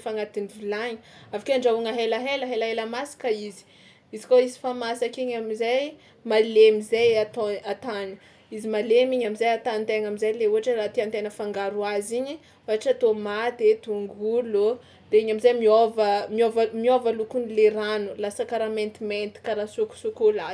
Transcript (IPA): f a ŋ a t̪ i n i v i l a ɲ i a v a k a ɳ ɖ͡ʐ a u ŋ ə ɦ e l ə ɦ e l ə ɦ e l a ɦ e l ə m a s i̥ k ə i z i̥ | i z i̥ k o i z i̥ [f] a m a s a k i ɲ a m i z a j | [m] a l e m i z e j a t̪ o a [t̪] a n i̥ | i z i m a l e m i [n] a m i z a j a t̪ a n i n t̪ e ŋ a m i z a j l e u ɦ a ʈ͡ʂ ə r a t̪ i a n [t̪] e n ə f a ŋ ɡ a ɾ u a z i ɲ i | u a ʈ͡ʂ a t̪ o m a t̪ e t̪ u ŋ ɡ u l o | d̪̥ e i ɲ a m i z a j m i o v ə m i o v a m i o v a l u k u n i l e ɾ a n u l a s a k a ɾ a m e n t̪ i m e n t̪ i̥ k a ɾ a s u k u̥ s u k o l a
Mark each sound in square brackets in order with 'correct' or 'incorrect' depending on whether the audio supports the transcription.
correct, correct, correct, incorrect, correct

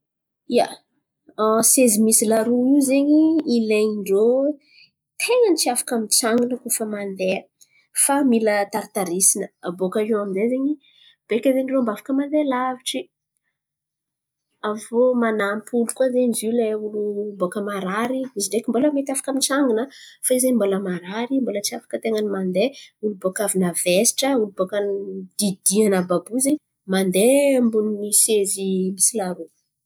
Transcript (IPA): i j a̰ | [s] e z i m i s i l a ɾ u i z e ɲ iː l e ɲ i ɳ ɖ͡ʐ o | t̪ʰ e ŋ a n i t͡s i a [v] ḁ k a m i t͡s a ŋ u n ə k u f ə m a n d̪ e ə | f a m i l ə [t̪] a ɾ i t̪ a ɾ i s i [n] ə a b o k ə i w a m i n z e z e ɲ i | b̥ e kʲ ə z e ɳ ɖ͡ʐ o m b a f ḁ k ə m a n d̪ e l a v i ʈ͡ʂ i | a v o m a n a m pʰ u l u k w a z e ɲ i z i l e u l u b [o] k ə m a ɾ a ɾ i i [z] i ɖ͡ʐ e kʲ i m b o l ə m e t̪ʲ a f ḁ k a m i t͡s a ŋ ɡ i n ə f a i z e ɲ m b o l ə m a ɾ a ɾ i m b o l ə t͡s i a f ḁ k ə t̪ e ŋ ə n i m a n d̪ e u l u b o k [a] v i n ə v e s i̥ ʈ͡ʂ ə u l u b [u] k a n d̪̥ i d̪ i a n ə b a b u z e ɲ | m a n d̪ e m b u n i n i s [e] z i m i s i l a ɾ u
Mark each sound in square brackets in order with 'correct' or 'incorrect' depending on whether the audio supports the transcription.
correct, incorrect, correct, correct, correct, correct, correct, incorrect, correct

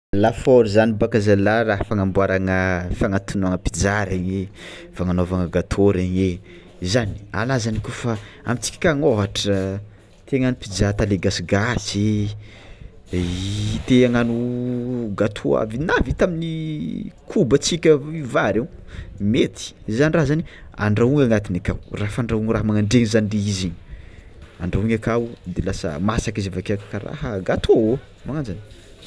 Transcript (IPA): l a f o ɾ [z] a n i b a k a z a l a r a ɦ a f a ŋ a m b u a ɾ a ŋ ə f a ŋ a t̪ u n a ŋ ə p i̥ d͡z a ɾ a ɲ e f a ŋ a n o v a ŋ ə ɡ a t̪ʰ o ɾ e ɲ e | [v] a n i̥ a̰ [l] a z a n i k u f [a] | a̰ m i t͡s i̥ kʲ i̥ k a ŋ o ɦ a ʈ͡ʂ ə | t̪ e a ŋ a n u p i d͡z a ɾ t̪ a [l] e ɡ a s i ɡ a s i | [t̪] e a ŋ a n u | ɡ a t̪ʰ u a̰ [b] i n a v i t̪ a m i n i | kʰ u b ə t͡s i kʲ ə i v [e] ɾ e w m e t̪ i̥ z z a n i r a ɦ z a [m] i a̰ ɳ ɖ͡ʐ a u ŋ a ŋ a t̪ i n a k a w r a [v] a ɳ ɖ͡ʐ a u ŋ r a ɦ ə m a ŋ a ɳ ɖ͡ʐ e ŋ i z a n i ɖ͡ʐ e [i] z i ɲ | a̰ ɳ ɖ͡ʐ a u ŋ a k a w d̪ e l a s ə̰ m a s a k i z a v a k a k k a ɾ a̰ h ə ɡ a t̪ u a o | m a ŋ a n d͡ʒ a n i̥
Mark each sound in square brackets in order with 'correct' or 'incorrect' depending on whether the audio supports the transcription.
correct, incorrect, correct, correct, correct, correct, incorrect, incorrect, incorrect, incorrect, correct

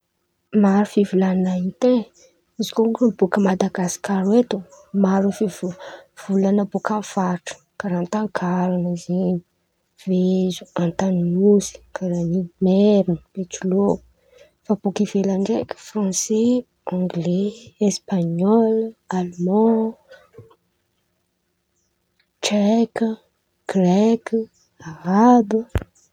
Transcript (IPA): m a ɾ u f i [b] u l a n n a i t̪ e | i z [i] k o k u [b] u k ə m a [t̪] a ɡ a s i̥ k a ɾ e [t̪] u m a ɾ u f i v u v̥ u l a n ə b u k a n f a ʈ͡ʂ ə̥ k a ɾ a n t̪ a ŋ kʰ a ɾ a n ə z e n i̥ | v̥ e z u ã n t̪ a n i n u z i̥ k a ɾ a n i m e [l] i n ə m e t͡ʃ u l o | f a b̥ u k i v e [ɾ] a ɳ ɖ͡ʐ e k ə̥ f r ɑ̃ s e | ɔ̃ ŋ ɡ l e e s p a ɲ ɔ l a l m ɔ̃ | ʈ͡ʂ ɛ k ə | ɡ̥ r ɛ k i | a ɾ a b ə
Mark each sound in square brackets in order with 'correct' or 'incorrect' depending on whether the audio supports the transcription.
incorrect, correct, correct, incorrect, correct, incorrect, incorrect

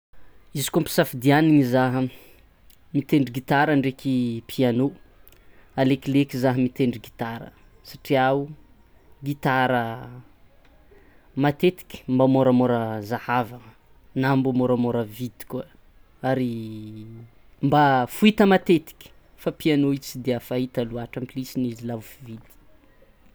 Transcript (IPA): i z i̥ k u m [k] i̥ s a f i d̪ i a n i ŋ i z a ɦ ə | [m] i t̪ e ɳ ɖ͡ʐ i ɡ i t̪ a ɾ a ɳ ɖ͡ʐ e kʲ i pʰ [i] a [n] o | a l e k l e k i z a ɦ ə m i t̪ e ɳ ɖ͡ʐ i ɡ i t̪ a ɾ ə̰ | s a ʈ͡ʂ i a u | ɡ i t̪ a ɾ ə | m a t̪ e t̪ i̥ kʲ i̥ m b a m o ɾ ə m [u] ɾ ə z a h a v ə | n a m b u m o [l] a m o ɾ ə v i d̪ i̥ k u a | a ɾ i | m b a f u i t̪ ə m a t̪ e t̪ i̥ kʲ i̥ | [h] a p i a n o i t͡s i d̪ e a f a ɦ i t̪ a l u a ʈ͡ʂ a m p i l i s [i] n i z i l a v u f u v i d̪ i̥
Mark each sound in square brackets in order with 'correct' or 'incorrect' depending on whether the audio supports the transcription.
incorrect, correct, correct, correct, incorrect, incorrect, incorrect, correct

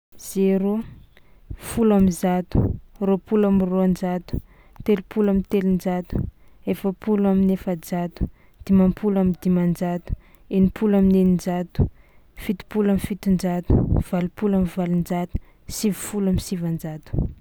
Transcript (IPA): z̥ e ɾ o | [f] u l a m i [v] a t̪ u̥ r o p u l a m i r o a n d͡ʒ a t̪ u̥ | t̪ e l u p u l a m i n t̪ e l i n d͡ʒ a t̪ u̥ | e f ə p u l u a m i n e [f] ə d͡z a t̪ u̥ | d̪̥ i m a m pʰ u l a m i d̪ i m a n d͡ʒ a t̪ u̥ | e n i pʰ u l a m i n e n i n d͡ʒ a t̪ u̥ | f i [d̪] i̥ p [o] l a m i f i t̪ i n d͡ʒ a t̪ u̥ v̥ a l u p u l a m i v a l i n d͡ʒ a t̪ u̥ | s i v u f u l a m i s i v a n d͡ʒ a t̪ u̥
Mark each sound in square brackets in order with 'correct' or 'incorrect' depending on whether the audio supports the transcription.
correct, incorrect, correct, incorrect, incorrect

